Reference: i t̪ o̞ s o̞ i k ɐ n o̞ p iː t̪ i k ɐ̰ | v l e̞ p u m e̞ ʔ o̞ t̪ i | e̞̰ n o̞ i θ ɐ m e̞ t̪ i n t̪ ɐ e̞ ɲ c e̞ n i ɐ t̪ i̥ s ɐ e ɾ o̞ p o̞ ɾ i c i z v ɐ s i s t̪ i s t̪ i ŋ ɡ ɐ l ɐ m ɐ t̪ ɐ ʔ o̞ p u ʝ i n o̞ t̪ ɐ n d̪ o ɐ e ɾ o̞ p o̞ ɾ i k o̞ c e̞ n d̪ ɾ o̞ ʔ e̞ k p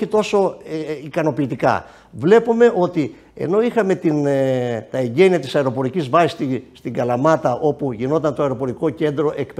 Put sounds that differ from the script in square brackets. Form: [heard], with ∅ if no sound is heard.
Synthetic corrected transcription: i t̪ o̞ s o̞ i k ɐ n o̞ p iː t̪ i k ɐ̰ | v l e̞ p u m e̞ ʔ o̞ t̪ i | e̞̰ n o̞ i [x] ɐ m e̞ t̪ i n t̪ ɐ e̞ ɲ [ɟ] e̞ n i ɐ t̪ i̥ s ɐ e ɾ o̞ p o̞ ɾ i c i z v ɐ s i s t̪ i s t̪ i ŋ ɡ ɐ l ɐ m ɐ t̪ ɐ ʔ o̞ p u ʝ i n o̞ t̪ ɐ n [t̪] o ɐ e ɾ o̞ p o̞ ɾ i k o̞ c e̞ n d̪ ɾ o̞ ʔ e̞ k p